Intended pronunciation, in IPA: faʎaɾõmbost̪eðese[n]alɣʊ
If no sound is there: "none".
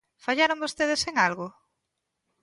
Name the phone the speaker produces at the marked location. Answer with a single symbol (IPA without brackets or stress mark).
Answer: ŋ